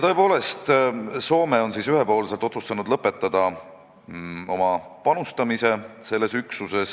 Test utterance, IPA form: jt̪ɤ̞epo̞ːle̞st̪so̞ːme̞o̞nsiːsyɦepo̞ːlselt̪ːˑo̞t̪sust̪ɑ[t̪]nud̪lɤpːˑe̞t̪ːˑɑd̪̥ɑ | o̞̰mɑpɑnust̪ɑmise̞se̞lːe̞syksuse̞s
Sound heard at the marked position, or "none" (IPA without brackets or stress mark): none